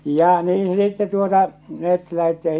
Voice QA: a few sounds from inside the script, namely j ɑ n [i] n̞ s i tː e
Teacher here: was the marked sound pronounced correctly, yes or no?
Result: no